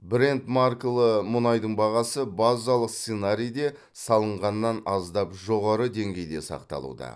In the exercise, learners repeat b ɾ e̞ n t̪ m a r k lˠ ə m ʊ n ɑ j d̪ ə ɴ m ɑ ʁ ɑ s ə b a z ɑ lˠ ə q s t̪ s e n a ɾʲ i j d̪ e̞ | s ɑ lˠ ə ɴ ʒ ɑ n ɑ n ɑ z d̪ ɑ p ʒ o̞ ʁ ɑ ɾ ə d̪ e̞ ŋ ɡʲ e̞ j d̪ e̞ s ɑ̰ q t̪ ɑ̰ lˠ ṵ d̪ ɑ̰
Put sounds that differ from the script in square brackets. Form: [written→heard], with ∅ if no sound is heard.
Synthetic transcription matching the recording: b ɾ e̞ n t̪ m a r k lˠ ə m ʊ n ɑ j d̪ ə ɴ [m→b] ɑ ʁ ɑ s ə b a z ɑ lˠ ə q s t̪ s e n a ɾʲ i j d̪ e̞ | s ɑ lˠ ə ɴ [ʒ→ʁ] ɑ [n→nː] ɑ n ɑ z d̪ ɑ p ʒ o̞ ʁ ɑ ɾ ə d̪ e̞ ŋ ɡʲ e̞ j d̪ e̞ s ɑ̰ q t̪ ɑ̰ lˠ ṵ d̪ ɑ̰